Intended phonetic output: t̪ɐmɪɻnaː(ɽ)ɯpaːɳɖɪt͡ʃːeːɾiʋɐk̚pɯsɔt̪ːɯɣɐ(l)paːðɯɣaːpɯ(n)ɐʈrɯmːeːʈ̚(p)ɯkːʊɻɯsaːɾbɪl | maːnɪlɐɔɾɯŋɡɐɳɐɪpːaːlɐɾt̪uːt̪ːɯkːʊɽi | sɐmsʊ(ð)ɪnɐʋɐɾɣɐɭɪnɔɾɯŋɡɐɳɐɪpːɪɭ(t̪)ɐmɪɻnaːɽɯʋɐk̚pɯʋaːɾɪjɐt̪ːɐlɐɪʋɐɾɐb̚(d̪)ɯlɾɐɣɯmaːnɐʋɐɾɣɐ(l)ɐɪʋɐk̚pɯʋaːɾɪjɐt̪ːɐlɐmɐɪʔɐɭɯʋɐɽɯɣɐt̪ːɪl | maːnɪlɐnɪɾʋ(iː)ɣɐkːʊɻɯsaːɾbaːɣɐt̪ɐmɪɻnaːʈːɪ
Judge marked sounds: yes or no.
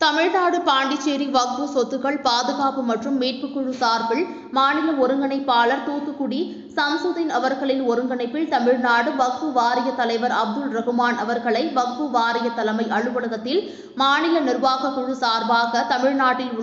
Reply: yes, no, no, yes, yes, yes, yes, no, no

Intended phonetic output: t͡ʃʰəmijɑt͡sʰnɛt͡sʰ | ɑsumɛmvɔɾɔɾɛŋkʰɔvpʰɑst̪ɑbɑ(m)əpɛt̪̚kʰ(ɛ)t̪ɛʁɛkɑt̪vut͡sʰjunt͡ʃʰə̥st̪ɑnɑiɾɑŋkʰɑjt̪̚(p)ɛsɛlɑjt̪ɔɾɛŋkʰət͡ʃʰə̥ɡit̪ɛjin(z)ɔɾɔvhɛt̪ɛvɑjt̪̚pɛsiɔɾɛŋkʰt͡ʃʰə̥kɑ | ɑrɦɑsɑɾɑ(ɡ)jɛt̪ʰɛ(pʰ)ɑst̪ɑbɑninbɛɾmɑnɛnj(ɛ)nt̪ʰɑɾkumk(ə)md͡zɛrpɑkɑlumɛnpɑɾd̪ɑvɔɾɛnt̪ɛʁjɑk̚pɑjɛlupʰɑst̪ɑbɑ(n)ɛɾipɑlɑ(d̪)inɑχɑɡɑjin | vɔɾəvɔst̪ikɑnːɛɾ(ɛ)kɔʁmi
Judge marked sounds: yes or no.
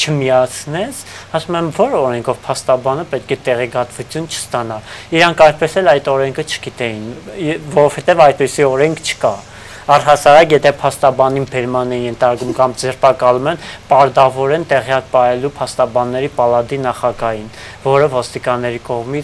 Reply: no, yes, yes, no, no, yes, yes, no, no, yes, no

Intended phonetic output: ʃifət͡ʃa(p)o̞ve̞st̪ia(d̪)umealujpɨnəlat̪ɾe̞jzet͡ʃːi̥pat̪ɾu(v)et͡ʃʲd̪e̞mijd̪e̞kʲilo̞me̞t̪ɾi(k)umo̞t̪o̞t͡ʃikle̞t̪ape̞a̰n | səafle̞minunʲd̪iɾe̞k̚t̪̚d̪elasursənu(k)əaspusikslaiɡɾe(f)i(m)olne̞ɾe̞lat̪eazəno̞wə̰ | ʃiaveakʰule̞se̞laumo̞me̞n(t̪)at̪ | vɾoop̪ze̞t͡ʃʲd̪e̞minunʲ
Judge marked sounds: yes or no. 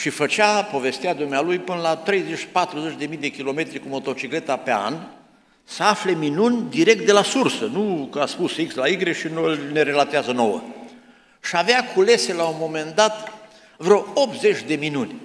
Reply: yes, yes, no, yes, yes, no, no, no

